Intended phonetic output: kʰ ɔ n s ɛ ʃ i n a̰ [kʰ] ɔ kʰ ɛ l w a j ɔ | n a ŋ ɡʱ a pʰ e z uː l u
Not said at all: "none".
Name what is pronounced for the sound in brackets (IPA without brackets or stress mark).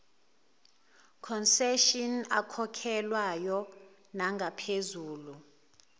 kʰ